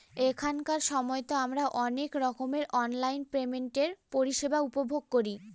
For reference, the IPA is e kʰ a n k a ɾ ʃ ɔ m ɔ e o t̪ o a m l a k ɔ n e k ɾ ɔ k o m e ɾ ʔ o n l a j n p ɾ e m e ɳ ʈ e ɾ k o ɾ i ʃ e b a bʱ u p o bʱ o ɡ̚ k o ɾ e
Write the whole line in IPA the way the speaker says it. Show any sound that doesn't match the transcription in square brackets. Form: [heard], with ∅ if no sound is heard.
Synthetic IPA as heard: e kʰ a n k a ɾ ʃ ɔ m ɔ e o t̪ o a m [ɾ] a [ʔ] ɔ n e k ɾ ɔ k o m e ɾ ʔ [ɔ] n l a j n p ɾ e m e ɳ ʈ e ɾ [p] o ɾ i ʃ e b a [∅] u p o bʱ o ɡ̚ k o ɾ [i]